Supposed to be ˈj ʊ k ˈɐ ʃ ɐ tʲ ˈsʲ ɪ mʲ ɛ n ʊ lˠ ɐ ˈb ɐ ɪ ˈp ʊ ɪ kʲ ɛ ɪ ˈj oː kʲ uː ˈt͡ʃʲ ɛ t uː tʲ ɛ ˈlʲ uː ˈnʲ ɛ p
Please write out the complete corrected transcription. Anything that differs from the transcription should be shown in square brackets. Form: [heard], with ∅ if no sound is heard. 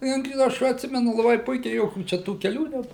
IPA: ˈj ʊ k ˈɐ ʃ ɐ tʲ ˈsʲ ɪ mʲ ɛ n ʊ lˠ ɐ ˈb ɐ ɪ ˈp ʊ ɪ kʲ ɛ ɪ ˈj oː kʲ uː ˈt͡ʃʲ ɛ t uː [kʲ] ɛ ˈlʲ uː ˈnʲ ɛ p

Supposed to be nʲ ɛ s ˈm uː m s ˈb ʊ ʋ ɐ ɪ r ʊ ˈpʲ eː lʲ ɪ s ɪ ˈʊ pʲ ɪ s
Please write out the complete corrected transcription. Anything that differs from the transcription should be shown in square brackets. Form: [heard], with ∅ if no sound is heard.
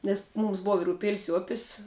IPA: nʲ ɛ s ˈm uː m s ˈb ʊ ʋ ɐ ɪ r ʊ ˈpʲ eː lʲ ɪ s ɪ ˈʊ pʲ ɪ s

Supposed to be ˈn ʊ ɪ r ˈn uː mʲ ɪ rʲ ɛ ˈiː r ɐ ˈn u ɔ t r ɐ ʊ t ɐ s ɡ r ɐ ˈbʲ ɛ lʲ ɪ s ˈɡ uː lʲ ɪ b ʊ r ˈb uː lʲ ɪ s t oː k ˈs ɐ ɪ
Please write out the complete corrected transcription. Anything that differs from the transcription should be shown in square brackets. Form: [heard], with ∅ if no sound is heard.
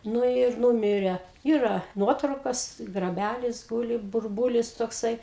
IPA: ˈn ʊ ɪ r ˈn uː mʲ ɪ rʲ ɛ ˈiː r ɐ ˈn u ɔ t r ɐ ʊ [k] ɐ s ɡ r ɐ ˈbʲ [æ] lʲ ɪ s ˈɡ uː lʲ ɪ b ʊ r ˈb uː lʲ ɪ s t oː k ˈs ɐ ɪ

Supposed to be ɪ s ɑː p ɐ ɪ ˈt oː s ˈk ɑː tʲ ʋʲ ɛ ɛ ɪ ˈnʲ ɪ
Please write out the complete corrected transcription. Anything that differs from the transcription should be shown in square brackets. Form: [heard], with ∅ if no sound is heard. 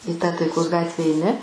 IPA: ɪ [t] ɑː [t] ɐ ɪ [ˈk] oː s [ˈɡ] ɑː tʲ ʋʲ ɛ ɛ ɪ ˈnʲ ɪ

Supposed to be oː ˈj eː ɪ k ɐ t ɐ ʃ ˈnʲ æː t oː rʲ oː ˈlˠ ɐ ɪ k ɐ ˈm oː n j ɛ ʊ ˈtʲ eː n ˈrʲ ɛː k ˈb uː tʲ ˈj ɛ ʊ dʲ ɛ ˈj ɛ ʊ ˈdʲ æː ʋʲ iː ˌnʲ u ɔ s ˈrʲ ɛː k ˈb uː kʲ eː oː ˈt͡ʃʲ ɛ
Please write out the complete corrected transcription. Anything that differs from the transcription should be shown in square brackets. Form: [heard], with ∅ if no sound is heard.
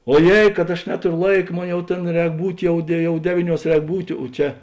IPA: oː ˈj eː ɪ k ɐ t ɐ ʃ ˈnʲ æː t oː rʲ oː ˈlˠ ɐ ɪ k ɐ ˈm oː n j ɛ ʊ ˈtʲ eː n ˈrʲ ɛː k ˈb uː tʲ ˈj ɛ ʊ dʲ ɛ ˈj ɛ ʊ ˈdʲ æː ʋʲ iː ˌnʲ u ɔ s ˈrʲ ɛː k ˈb uː [tʲ] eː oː ˈt͡ʃʲ ɛ

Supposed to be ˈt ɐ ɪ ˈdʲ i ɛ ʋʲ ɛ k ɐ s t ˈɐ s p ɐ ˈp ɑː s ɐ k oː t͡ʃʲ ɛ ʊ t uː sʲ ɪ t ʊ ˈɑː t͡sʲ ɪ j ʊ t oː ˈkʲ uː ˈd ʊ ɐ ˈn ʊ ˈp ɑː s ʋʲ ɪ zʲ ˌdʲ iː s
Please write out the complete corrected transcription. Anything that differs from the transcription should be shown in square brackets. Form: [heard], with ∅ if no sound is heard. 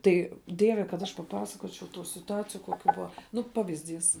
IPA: ˈt ɐ ɪ ˈdʲ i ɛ ʋʲ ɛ k ɐ [∅] t ˈɐ [ʃ] p ɐ ˈp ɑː s ɐ k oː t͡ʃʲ ɛ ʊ t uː sʲ ɪ t ʊ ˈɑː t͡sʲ ɪ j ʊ [k] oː ˈkʲ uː [ˈb] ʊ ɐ ˈn ʊ ˈp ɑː [∅] ʋʲ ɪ zʲ ˌdʲ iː s

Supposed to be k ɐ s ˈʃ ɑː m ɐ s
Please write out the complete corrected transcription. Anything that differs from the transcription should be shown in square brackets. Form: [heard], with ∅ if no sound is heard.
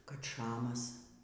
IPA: k ɐ [t] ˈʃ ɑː m ɐ s

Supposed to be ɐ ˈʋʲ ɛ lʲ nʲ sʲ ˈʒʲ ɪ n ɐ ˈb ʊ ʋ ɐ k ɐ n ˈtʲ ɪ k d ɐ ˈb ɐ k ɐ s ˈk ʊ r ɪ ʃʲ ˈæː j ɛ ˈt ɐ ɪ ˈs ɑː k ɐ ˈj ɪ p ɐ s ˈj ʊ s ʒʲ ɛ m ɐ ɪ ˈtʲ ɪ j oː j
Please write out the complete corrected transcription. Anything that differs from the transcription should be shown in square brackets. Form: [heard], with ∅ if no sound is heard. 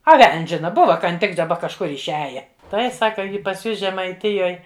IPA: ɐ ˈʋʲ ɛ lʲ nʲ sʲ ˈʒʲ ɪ n ɐ ˈb ʊ ʋ ɐ k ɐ n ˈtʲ ɪ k d ɐ ˈb ɐ k ɐ [ʃ] ˈk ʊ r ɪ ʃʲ ˈæː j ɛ ˈt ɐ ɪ ˈs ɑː k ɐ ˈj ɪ p ɐ s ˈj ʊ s ʒʲ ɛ m ɐ ɪ ˈtʲ ɪ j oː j

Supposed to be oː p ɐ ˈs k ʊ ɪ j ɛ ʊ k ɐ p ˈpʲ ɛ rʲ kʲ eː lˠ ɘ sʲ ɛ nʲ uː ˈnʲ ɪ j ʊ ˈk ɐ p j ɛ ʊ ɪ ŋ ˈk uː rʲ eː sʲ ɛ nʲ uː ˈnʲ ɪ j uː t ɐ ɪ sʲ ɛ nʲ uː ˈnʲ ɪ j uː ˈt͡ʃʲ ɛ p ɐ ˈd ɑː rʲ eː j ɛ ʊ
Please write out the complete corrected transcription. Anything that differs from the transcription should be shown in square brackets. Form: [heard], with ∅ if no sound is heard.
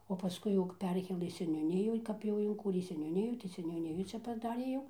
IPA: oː p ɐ ˈs k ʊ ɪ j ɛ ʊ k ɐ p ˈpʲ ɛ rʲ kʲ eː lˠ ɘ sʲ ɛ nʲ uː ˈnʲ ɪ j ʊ ˈk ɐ p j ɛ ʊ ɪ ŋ ˈk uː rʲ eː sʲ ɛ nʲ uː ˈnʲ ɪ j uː t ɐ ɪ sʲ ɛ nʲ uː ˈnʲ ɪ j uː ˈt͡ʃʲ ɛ p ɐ ˈd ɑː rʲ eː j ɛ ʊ

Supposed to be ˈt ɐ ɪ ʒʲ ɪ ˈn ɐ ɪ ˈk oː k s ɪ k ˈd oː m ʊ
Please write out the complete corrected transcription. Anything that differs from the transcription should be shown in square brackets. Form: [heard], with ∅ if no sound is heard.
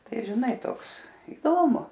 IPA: ˈt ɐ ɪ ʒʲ ɪ ˈn ɐ ɪ [ˈt] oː k s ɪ [∅] ˈd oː m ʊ

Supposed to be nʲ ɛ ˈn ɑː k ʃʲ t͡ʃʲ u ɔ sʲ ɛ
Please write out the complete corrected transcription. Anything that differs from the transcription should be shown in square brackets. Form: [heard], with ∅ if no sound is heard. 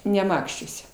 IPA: nʲ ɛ [ˈm] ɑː k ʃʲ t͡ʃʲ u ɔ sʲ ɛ

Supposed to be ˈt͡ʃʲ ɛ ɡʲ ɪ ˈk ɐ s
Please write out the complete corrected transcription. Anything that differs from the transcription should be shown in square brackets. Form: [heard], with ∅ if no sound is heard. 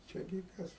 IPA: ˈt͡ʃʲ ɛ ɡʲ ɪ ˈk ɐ s

